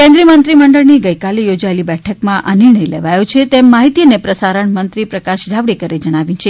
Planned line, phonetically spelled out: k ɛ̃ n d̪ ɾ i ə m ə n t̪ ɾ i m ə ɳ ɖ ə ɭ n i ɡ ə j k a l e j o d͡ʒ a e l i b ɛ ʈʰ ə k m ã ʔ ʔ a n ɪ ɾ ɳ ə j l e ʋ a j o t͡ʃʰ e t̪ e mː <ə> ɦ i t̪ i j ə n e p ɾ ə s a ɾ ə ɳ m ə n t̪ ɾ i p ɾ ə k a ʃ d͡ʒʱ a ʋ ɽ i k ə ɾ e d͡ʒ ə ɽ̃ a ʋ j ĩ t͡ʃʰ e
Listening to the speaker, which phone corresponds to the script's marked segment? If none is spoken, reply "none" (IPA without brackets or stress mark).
a